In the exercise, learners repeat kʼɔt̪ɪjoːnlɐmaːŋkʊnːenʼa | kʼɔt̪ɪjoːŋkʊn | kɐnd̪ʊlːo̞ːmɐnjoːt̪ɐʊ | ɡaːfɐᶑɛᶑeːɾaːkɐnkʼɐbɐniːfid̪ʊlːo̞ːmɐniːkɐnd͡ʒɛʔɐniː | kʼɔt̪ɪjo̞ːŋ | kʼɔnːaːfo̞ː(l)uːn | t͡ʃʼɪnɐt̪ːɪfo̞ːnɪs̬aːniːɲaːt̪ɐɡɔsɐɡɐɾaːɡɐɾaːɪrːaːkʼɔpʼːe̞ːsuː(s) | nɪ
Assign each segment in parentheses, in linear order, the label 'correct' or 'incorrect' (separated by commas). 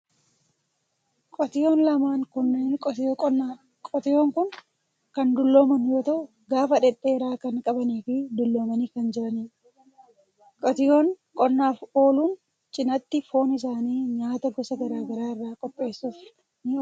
correct, incorrect